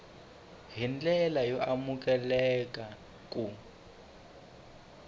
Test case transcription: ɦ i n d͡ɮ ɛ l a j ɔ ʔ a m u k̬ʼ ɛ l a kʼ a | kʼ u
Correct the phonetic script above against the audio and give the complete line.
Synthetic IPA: ɦ i n d͡ɮ ɛ l a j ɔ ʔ a m u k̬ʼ ɛ l ɛ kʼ a | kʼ u